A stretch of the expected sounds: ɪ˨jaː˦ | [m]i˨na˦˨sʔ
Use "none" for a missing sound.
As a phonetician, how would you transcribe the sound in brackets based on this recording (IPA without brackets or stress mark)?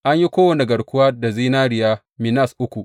m